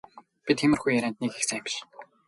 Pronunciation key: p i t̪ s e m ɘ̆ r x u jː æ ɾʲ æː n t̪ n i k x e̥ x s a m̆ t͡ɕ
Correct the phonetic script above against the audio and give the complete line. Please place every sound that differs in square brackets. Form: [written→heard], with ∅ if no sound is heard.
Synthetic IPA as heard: p i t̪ [s→x] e m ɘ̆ r x u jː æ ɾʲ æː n t̪ n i k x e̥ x s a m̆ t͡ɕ